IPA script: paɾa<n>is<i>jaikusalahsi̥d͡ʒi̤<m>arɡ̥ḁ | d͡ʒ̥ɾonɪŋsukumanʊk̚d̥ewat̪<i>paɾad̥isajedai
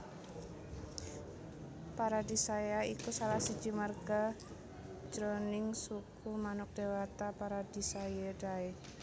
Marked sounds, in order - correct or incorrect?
incorrect: d, incorrect: a, correct, incorrect: a

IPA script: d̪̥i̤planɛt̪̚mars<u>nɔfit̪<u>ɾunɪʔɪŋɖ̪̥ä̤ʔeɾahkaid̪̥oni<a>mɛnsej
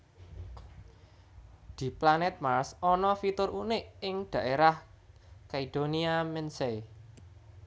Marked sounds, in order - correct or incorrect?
incorrect: ɔ, incorrect: ʊ, correct

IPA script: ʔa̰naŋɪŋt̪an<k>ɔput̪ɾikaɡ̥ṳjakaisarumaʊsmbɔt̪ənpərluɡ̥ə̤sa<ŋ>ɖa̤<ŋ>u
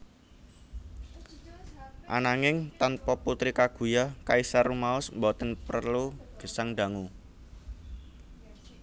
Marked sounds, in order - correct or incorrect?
incorrect: p, correct, correct

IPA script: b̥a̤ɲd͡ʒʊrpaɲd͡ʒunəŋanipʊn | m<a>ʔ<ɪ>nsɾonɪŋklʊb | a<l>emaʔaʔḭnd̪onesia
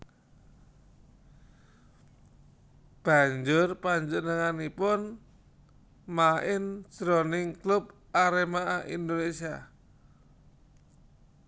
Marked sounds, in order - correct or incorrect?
correct, correct, incorrect: ɾ

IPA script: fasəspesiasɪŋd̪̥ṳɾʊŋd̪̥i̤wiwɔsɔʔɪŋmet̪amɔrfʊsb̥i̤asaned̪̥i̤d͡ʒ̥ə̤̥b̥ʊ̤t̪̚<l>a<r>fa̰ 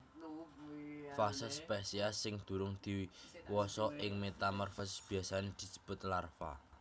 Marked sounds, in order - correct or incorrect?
correct, correct

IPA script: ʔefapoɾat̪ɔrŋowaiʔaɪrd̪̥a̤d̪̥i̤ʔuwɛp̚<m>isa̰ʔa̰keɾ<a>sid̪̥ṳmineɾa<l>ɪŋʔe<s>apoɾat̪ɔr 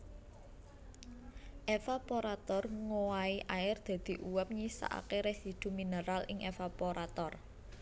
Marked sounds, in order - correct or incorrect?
incorrect: ɲ, incorrect: e, correct, incorrect: f

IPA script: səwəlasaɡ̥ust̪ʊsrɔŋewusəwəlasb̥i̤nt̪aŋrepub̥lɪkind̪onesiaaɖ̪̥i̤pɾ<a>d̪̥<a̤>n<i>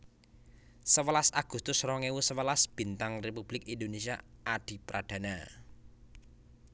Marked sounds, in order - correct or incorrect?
correct, correct, incorrect: a

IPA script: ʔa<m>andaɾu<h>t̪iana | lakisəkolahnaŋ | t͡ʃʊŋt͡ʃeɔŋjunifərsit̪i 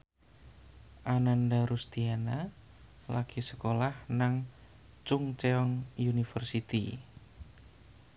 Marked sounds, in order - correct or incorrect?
incorrect: n, incorrect: s

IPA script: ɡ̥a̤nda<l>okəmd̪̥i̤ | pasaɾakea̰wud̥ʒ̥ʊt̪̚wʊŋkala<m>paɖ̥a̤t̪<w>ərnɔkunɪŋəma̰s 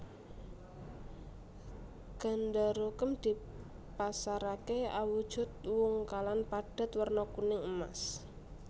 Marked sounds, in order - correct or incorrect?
incorrect: ɾ, incorrect: n, correct

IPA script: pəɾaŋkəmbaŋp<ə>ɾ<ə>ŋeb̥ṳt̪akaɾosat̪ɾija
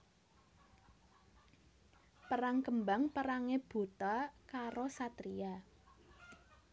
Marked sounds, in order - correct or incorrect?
correct, incorrect: a

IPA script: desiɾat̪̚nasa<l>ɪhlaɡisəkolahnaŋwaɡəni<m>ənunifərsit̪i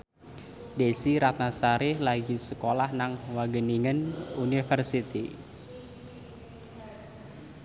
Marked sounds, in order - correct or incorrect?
incorrect: ɾ, incorrect: ŋ

